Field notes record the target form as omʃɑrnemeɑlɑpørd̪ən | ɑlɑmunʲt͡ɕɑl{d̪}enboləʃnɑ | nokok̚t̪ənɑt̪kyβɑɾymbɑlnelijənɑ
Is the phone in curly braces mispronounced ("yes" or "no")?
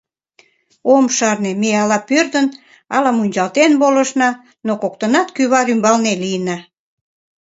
yes